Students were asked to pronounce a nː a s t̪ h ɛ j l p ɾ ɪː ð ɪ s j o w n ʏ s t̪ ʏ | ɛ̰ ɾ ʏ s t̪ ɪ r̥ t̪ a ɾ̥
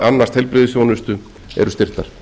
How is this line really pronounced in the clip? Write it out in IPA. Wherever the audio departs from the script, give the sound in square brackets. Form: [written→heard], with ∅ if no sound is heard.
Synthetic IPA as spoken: a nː a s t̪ h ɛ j l p ɾ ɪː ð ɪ s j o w n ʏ s t̪ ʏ | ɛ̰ ɾ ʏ s t̪ ɪ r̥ t̪ a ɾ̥